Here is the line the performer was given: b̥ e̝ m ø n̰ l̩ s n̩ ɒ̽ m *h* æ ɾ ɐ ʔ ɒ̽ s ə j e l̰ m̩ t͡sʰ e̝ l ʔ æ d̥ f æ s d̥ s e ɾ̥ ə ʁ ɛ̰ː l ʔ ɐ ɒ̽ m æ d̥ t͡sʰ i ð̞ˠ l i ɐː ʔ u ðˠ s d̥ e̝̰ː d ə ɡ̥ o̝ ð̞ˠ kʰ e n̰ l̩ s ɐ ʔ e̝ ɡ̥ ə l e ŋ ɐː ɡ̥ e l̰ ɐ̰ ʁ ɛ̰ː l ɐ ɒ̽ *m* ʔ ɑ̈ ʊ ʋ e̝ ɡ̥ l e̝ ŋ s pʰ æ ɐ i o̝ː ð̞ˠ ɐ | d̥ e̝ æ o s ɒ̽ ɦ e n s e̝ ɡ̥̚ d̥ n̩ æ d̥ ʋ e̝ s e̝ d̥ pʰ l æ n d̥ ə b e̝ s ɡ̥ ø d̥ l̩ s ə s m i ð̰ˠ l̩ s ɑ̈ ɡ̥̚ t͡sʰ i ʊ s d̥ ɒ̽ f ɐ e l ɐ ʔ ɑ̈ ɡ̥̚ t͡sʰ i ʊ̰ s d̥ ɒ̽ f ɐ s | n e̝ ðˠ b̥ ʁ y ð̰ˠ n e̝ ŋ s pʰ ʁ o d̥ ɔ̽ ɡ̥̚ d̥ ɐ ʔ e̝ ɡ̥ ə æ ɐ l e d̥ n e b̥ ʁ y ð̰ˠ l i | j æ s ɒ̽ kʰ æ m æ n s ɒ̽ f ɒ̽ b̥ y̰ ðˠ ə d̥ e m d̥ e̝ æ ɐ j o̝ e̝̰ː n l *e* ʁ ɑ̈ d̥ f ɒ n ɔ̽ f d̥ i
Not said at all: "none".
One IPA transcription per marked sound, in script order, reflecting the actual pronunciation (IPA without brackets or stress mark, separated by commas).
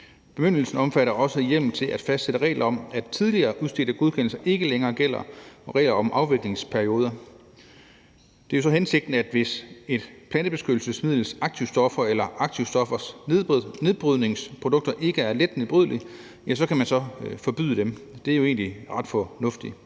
f, m, i